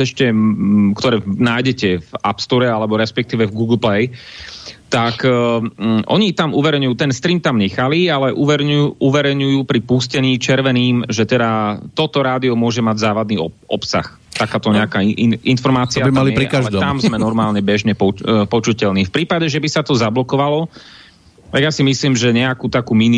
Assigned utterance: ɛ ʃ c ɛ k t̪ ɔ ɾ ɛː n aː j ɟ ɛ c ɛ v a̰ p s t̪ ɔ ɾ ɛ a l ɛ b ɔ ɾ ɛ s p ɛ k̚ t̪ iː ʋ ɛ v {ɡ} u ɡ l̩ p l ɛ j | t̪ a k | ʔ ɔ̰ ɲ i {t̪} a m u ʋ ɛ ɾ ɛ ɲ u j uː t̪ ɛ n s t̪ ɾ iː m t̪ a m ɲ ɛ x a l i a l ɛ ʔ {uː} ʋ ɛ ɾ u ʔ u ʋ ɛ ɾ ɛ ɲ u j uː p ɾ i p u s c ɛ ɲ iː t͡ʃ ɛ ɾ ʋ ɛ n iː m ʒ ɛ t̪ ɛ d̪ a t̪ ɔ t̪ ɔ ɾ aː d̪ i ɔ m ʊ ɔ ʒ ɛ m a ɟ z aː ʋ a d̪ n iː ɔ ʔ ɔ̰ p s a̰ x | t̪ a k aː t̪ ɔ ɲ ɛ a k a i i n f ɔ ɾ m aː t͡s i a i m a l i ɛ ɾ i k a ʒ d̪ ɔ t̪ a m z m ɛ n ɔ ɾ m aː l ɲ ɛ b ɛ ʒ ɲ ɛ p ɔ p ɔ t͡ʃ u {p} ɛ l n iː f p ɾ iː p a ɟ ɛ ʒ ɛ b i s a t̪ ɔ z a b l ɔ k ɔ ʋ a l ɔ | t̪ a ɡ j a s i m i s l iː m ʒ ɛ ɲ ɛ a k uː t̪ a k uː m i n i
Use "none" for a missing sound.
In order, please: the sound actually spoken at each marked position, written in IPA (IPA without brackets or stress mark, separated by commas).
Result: ɡ, t̪, u, c